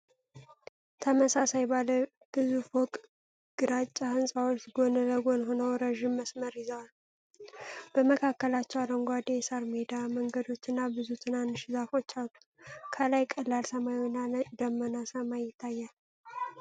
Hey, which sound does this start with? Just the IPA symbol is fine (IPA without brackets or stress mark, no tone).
t̪ʰ